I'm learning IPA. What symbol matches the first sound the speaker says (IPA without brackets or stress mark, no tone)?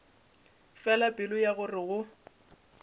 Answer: f